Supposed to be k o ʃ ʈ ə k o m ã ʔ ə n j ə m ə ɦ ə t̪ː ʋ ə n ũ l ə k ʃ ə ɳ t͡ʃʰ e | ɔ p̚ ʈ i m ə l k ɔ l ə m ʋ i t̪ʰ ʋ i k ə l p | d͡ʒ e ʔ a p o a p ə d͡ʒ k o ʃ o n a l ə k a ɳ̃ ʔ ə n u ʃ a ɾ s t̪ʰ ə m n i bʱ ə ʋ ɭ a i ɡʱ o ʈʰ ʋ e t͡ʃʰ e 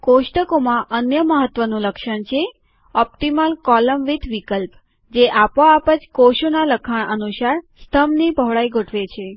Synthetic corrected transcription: k o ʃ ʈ ə k o m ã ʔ ə n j ə m ə ɦ ə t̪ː ʋ ə n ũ l ə k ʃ ə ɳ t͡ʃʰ e | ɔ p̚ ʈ i m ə l k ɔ l ə m ʋ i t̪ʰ ʋ i k ə l p | d͡ʒ e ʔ a p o a p ə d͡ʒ k o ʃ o n a l ə kʰ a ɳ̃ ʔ ə n u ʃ a ɾ s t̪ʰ ə m n i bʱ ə ʋ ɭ a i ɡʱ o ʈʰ ʋ e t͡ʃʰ e

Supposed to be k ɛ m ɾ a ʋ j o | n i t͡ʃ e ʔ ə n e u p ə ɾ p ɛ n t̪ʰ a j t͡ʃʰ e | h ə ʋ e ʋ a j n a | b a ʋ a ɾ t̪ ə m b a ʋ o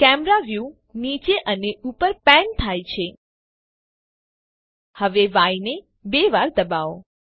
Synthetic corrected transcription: k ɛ m ɾ a ʋ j u | n i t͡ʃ e ʔ ə n e u p ə ɾ p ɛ n t̪ʰ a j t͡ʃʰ e | h ə ʋ e ʋ a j n e | b e ʋ a ɾ d̪ ə b a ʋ o

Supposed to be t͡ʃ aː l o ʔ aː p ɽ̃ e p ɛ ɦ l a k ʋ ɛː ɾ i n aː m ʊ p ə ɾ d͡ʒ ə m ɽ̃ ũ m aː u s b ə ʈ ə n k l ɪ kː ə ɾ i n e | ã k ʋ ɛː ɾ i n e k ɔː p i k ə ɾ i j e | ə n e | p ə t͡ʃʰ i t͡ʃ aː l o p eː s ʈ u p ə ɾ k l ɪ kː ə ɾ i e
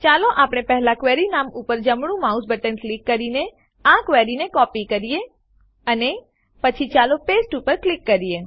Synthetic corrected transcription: t͡ʃ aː l o ʔ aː p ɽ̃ e p ɛ ɦ l a k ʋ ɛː ɾ i n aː m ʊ p ə ɾ d͡ʒ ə m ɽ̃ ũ m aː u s b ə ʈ ə n k l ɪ kː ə ɾ i n e | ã k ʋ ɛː ɾ i n e k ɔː p i k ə ɾ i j e | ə n e | p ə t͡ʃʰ i t͡ʃ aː l o p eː s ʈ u p ə ɾ k l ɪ kː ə ɾ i e

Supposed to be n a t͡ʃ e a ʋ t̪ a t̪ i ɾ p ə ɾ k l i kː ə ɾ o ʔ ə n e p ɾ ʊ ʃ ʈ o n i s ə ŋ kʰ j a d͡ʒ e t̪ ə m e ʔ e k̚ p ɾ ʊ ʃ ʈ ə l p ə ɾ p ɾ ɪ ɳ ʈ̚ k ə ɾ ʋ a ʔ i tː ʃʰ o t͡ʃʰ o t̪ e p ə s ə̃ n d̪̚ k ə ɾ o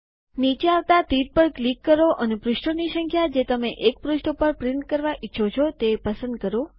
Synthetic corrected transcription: n i t͡ʃ e a ʋ t̪ a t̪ i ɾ p ə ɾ k l i kː ə ɾ o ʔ ə n e p ɾ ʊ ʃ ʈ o n i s ə ŋ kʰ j a d͡ʒ e t̪ ə m e ʔ e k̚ p ɾ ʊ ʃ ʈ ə p ə ɾ p ɾ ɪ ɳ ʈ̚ k ə ɾ ʋ a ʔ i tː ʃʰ o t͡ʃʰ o t̪ e p ə s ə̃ n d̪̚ k ə ɾ o

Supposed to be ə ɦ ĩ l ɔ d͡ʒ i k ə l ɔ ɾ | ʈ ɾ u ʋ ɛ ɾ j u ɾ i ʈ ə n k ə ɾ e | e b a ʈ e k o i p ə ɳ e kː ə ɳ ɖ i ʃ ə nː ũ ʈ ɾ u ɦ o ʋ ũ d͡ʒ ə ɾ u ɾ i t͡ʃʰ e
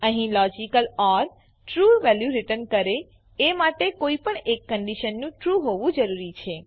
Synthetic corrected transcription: ə ɦ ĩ l ɔ d͡ʒ i k ə l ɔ ɾ | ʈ ɾ u ʋ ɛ l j u ɾ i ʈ ə n k ə ɾ e | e m a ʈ e k o i p ə ɳ e kː ə ɳ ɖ i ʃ ə nː ũ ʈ ɾ u ɦ o ʋ ũ d͡ʒ ə ɾ u ɾ i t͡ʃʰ e

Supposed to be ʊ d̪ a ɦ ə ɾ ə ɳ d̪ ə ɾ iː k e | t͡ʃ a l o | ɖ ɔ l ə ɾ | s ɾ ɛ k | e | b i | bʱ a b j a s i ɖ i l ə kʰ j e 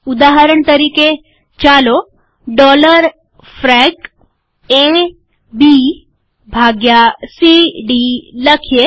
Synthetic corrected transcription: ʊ d̪ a ɦ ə ɾ ə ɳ t̪ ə ɾ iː k e | t͡ʃ a l o | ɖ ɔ l ə ɾ | f ɾ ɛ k | e | b i | bʱ a ɡ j a s i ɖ i l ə kʰ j e

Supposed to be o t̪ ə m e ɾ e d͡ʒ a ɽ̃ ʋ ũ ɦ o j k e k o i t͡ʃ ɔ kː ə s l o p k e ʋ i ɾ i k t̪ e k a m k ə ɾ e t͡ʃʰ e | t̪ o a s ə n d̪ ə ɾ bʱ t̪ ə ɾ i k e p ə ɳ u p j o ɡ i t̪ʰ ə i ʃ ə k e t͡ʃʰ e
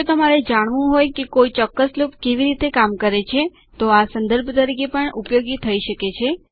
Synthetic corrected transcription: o t̪ ə m a ɾ e d͡ʒ a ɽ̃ ʋ ũ ɦ o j k e k o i t͡ʃ ɔ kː ə s l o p k e ʋ i ɾ i t̪ e k a m k ə ɾ e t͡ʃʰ e | t̪ o a s ə n d̪ ə ɾ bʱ t̪ ə ɾ i k e p ə ɳ u p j o ɡ i t̪ʰ ə i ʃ ə k e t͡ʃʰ e

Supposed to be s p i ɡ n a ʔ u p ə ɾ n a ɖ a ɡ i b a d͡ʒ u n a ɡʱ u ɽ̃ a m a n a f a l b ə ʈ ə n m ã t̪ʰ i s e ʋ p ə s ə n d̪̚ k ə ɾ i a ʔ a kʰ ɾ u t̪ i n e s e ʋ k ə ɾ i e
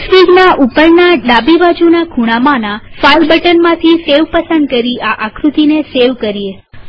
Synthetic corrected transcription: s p i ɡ n a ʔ u p ə ɾ n a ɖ a b i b a d͡ʒ u n a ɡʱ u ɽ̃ a m a n a f a l b ə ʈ ə n m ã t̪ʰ i s e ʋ p ə s ə n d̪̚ k ə ɾ i a ʔ a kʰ ɾ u t̪ i n e s e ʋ k ə ɾ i e

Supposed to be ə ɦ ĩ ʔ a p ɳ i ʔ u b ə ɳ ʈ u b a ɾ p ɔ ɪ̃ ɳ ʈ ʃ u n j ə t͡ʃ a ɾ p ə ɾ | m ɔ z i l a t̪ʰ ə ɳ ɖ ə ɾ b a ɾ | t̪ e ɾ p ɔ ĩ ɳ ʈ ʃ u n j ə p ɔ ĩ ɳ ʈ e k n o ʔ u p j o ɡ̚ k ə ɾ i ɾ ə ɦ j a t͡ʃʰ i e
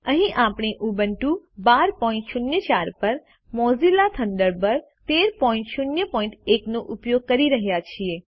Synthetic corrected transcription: ə ɦ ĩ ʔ a p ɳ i ʔ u b ə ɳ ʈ u b a ɾ p ɔ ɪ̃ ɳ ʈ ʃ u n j ə t͡ʃ a ɾ p ə ɾ | m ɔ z i l a t̪ʰ ə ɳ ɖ ə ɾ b ə ɾ | t̪ e ɾ p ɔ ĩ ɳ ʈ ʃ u n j ə p ɔ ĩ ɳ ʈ e k n o ʔ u p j o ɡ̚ k ə ɾ i ɾ ə ɦ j a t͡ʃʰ i e

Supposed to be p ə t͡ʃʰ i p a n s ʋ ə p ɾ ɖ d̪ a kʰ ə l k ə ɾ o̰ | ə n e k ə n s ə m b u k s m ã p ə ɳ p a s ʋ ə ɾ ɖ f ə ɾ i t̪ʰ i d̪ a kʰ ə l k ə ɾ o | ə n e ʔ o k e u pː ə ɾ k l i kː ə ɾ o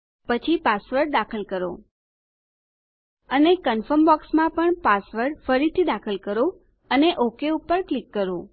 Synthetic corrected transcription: p ə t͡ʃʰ i p a s ʋ ə ɾ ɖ d̪ a kʰ ə l k ə ɾ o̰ | ə n e k ə n f ə m b ɔ k s m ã p ə ɳ p a s ʋ ə ɾ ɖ f ə ɾ i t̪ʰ i d̪ a kʰ ə l k ə ɾ o | ə n e ʔ o k e u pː ə ɾ k l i kː ə ɾ o

